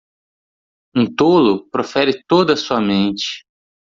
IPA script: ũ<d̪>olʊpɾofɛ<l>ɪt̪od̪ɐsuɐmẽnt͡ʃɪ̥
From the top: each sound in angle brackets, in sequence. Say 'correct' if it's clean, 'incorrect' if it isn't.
incorrect, incorrect

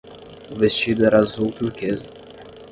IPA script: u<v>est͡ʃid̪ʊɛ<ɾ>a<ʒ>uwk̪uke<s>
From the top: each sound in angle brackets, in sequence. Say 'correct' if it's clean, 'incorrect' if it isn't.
correct, correct, incorrect, incorrect

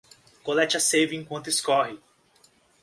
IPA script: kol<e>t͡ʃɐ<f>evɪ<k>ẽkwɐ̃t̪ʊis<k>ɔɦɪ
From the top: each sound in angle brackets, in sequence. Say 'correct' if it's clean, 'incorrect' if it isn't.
incorrect, incorrect, incorrect, correct

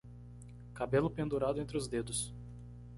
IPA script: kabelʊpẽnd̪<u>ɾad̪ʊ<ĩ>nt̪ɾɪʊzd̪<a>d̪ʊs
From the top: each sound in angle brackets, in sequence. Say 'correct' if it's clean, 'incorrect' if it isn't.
correct, incorrect, incorrect

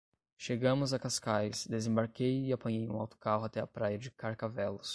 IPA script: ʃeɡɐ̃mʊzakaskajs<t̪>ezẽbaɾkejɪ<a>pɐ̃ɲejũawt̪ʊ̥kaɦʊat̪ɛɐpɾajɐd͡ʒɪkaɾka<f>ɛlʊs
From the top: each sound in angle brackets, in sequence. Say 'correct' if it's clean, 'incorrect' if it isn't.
incorrect, correct, incorrect

